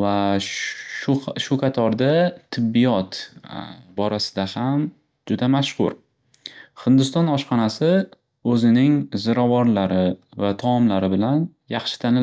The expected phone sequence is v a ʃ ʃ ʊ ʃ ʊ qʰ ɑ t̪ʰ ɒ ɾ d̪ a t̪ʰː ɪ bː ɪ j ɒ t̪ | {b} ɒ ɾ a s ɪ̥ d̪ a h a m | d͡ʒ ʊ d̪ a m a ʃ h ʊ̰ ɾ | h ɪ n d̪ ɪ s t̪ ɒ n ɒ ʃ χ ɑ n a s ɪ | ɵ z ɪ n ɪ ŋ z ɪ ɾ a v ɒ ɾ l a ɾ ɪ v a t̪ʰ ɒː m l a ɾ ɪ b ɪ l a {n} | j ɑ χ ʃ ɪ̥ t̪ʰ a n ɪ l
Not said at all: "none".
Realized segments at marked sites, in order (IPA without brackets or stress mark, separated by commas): b, n